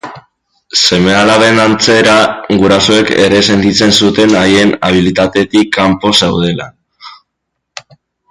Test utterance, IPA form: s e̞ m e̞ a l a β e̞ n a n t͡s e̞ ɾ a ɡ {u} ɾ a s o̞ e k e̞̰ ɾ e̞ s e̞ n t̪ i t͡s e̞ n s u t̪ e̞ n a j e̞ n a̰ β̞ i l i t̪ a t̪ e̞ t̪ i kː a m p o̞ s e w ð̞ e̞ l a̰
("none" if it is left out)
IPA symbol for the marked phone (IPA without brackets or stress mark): u